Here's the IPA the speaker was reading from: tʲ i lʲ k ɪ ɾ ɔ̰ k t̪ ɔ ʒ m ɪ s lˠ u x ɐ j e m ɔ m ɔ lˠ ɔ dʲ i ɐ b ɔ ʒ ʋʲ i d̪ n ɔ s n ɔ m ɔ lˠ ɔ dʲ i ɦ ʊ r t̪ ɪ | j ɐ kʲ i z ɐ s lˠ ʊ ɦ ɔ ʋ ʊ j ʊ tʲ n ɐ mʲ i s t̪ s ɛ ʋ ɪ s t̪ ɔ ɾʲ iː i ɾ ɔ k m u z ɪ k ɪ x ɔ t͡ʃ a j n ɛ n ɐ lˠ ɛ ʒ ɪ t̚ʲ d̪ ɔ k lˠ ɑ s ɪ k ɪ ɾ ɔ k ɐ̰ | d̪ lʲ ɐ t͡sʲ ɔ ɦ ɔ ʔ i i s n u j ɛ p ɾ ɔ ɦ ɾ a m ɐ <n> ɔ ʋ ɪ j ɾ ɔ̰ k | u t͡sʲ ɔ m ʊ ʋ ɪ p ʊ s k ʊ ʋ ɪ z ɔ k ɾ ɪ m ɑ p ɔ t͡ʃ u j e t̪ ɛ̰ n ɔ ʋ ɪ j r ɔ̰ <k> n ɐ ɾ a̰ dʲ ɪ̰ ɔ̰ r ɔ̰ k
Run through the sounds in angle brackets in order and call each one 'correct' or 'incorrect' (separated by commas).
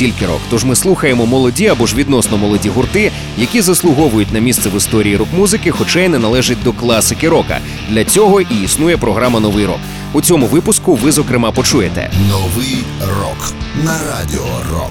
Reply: correct, correct